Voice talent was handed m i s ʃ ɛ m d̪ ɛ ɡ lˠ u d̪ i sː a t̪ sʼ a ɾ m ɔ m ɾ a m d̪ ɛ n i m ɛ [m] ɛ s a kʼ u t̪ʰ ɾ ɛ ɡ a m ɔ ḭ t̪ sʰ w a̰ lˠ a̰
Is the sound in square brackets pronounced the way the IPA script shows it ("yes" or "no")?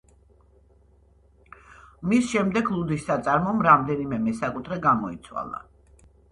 yes